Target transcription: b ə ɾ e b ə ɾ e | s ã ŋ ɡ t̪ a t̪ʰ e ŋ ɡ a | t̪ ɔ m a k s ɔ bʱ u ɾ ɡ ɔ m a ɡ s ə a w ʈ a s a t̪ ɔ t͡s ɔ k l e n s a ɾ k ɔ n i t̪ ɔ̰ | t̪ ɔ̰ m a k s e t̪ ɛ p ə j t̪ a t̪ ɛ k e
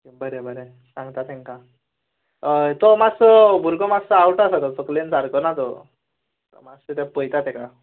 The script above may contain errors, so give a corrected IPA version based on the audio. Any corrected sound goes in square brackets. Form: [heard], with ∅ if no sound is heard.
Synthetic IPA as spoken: b ə ɾ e b ə ɾ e | s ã ŋ ɡ t̪ a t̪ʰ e ŋ [k] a | t̪ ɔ m a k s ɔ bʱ u ɾ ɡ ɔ m a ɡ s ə a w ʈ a s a t̪ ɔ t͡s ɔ k l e n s a ɾ k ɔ n [a] t̪ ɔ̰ | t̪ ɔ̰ m a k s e t̪ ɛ p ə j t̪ a t̪ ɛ k [a]